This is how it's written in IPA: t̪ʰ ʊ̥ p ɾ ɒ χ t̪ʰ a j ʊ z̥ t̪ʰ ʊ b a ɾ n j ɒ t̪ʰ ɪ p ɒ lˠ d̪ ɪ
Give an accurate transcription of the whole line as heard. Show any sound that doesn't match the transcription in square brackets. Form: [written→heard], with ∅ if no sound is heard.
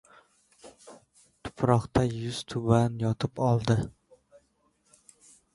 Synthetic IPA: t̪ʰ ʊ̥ p ɾ ɒ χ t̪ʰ a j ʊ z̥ t̪ʰ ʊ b a [ɾ→∅] n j ɒ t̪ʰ ɪ p ɒ lˠ d̪ ɪ